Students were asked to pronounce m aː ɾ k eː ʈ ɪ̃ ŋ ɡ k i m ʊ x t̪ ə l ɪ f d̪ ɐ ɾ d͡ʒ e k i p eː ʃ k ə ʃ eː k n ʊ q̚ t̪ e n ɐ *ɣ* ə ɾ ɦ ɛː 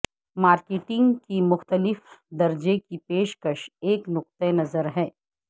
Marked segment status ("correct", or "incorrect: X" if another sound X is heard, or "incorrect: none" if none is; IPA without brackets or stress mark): incorrect: z